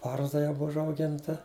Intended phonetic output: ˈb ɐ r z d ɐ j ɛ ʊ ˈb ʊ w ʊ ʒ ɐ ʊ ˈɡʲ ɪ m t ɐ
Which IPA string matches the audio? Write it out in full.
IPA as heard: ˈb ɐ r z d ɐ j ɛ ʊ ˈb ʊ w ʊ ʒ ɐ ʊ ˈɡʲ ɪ n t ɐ